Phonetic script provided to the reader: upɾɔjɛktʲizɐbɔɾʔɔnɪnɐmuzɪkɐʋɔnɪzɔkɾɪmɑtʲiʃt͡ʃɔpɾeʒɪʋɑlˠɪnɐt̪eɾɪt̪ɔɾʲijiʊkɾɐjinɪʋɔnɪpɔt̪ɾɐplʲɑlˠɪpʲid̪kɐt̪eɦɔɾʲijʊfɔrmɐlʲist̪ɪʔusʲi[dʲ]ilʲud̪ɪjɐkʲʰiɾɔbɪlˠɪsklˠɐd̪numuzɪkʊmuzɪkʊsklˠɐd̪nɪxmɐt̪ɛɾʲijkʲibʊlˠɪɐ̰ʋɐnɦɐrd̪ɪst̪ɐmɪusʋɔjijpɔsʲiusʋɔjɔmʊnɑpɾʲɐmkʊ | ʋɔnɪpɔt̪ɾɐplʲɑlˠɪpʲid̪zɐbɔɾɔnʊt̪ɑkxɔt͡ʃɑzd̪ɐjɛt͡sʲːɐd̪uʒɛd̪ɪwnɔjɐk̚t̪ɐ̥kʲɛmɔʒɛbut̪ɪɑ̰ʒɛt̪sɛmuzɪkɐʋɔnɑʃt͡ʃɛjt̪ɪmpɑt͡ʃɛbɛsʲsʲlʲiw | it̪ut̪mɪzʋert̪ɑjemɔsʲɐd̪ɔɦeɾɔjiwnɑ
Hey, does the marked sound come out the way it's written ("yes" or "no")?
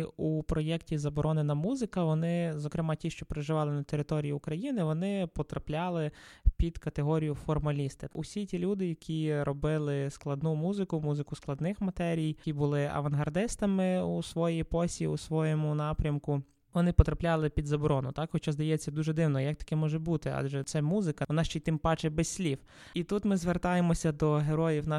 no